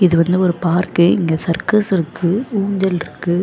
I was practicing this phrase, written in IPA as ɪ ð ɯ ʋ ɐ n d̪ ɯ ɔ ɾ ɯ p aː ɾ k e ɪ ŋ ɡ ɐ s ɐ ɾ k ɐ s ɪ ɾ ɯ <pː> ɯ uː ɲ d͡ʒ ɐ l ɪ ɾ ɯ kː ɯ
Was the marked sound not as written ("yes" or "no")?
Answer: yes